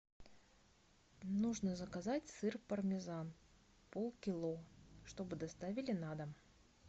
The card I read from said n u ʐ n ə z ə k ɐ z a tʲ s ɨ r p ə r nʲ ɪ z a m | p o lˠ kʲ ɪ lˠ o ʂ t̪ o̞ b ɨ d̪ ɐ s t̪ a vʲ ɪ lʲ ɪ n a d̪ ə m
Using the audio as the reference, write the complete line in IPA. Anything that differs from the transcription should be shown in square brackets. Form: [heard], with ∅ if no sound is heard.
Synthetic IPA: n u ʐ n ə z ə k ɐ z a tʲ s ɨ r p ə r [mʲ] ɪ z a [n] | p o lˠ kʲ ɪ lˠ o ʂ t̪ o̞ b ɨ d̪ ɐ s t̪ a vʲ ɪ lʲ ɪ n a d̪ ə m